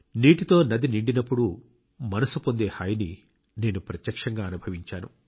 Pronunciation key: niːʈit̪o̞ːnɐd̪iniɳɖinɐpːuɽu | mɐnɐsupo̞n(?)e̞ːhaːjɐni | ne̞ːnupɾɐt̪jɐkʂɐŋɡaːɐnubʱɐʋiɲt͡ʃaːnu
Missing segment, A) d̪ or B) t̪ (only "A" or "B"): A